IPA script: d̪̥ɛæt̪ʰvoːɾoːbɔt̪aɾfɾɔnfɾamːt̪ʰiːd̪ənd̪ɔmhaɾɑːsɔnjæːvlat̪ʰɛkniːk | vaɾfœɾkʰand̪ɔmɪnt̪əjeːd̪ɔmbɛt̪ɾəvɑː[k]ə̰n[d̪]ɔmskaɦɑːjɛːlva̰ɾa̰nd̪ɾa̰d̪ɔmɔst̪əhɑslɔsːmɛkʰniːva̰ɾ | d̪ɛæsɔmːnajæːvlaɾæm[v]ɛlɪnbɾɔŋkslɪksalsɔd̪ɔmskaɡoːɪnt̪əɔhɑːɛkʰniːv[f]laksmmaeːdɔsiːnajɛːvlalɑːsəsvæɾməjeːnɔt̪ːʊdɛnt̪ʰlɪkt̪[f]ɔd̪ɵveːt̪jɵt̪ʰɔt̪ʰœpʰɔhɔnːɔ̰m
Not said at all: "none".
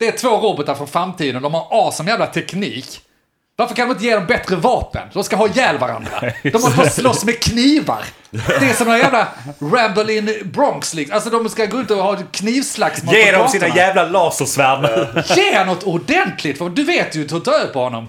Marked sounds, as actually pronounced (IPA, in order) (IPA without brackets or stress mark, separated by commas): p, d̪, b, s, f